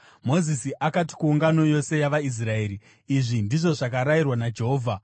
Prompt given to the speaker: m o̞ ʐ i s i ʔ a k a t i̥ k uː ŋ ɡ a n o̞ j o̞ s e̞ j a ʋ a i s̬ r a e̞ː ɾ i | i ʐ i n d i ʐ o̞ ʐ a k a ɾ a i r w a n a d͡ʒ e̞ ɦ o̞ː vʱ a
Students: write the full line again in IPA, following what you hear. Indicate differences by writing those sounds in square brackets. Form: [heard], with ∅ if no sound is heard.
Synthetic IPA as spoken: m o̞ [z] i s i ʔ a k a t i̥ k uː ŋ ɡ a n o̞ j o̞ s e̞ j a ʋ a i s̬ r a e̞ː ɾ i | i ʐ i n d i ʐ o̞ ʐ a k a ɾ a i r w a n a d͡ʒ e̞ ɦ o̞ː vʱ a